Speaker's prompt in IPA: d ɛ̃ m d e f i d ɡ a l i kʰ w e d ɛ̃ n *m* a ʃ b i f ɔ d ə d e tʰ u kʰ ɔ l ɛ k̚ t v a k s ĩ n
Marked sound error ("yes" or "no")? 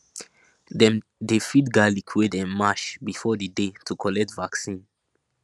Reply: no